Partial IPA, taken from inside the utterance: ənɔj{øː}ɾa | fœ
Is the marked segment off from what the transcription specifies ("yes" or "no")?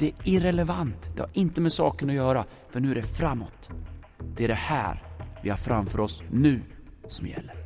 yes